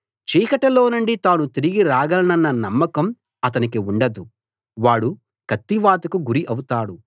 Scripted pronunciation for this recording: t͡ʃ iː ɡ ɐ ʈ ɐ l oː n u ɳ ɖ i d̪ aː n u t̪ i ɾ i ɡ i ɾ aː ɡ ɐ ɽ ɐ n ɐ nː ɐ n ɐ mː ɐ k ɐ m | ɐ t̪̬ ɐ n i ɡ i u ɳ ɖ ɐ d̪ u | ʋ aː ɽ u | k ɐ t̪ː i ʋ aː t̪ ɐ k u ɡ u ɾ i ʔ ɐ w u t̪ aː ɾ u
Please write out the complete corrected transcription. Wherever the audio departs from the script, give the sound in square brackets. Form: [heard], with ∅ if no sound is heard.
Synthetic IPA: t͡ʃ iː [k] ɐ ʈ ɐ l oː n u ɳ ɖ i [t̪] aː n u t̪ i ɾ i ɡ i ɾ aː ɡ ɐ [l] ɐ n ɐ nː ɐ n ɐ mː ɐ k ɐ m | ɐ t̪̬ ɐ n i [k] i u ɳ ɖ ɐ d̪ u | ʋ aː ɽ u | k ɐ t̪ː i ʋ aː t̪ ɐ k u ɡ u ɾ i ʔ ɐ w u t̪ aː [ɽ] u

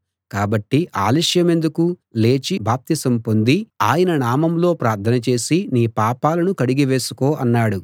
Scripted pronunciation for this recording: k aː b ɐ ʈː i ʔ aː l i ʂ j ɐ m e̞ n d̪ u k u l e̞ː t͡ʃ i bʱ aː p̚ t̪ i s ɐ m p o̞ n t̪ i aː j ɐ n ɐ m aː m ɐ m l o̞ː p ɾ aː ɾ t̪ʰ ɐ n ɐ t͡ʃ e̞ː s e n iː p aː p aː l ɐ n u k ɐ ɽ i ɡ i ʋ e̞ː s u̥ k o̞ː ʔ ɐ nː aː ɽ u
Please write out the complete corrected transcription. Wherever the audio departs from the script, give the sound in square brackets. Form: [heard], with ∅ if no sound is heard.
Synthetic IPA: k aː b ɐ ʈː i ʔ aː l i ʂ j ɐ m e̞ n d̪ u k u l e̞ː t͡ʃ i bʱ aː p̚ t̪ i s ɐ m p o̞ n [d̪] i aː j ɐ n ɐ [n] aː m ɐ m l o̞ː p ɾ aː ɾ t̪ʰ ɐ n ɐ t͡ʃ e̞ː s [i] n iː p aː p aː l ɐ n u k ɐ ɽ i ɡ i ʋ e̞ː s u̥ k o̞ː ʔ ɐ nː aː ɽ u

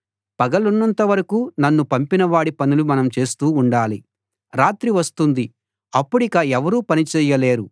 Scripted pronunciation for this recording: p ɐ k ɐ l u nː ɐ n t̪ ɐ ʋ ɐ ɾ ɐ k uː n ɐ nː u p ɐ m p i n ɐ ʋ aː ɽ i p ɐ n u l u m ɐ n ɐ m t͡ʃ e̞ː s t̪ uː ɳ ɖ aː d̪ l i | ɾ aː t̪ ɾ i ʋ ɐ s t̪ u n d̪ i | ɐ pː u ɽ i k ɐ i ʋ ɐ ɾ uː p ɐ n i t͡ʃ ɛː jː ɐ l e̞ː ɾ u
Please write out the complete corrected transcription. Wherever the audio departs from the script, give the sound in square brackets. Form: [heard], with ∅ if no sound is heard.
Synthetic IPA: p ɐ [ɡ] ɐ l u nː ɐ n t̪ ɐ ʋ ɐ ɾ ɐ k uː n ɐ nː u p ɐ m p i n ɐ ʋ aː ɽ i p ɐ n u l u m ɐ n ɐ m t͡ʃ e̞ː s t̪ uː ɳ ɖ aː [∅] l i | ɾ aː t̪ ɾ i ʋ ɐ s t̪ u n d̪ i | ɐ pː u ɽ i k ɐ [ɛ] ʋ ɐ ɾ uː p ɐ n i t͡ʃ ɛː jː ɐ l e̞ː ɾ u

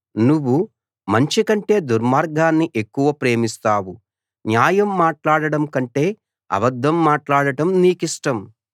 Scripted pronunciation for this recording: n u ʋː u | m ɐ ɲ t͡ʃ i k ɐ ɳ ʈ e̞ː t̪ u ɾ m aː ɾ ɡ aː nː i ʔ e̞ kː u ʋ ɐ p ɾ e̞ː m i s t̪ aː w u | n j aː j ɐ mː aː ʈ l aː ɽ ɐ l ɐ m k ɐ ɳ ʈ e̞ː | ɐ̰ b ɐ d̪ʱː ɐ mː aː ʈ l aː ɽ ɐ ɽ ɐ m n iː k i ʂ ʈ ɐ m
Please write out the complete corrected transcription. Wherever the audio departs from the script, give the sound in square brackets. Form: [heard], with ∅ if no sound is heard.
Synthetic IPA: n u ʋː u | m ɐ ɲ t͡ʃ i k ɐ ɳ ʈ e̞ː [d̪] u ɾ m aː ɾ ɡ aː nː i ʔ e̞ kː u ʋ ɐ p ɾ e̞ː m i s t̪ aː w u | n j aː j ɐ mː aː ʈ l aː ɽ ɐ [ɽ] ɐ m k ɐ ɳ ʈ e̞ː | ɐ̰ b ɐ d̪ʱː ɐ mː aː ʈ l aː ɽ ɐ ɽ ɐ m n iː k i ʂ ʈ ɐ m

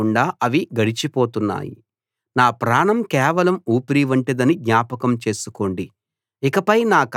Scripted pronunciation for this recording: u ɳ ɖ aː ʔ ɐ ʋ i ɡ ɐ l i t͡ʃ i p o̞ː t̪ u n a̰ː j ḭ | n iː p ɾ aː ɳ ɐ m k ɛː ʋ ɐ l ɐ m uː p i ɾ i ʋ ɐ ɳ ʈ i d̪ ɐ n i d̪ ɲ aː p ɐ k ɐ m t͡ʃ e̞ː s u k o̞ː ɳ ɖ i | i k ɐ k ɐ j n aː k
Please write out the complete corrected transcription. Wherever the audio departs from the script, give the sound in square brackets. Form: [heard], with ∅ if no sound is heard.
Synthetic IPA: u ɳ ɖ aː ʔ ɐ ʋ i ɡ ɐ [ɽ] i t͡ʃ i p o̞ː t̪ u [nː] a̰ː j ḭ | n [aː] p ɾ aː ɳ ɐ m k ɛː ʋ ɐ l ɐ m uː p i ɾ i ʋ ɐ ɳ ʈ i d̪ ɐ n i d̪ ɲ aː p ɐ k ɐ m t͡ʃ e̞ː s u k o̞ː ɳ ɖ i | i k ɐ [p] ɐ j n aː k

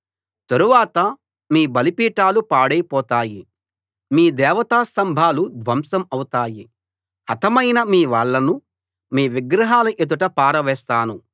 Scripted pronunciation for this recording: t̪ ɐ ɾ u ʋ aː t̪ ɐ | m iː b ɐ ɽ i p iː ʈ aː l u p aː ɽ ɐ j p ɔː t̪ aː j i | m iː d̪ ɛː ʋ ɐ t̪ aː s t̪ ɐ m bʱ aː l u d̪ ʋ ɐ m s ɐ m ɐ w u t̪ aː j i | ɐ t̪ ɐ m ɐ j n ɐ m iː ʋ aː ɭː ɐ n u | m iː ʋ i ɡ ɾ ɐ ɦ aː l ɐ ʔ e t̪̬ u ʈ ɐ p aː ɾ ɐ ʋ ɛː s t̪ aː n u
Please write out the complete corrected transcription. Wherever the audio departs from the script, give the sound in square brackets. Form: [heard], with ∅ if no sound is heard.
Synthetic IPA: t̪ ɐ ɾ u ʋ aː t̪ ɐ | m iː b ɐ [l] i p iː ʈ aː l u p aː ɽ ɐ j p ɔː t̪ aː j i | m iː d̪ ɛː ʋ ɐ t̪ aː s t̪ ɐ m bʱ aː l u d̪ ʋ ɐ m s ɐ m ɐ w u t̪ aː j i | ɐ t̪ ɐ m ɐ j n ɐ m iː ʋ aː ɭː ɐ n u | m iː ʋ i ɡ ɾ ɐ ɦ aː l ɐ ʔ e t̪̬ u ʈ ɐ p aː ɾ ɐ ʋ ɛː s t̪ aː n u

